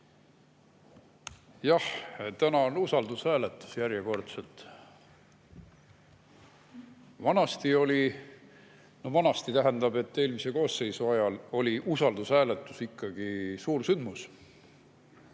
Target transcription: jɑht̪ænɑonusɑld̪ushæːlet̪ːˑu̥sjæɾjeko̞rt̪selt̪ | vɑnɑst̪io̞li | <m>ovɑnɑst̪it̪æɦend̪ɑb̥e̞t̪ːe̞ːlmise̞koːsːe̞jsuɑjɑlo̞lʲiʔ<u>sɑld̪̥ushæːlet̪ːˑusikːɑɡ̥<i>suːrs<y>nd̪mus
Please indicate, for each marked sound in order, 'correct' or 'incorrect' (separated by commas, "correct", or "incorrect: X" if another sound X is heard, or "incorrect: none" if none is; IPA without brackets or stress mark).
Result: incorrect: n, correct, correct, correct